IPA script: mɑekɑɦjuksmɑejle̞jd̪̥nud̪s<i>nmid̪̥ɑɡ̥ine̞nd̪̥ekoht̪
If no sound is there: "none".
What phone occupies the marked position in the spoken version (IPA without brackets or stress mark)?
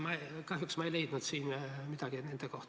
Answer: iː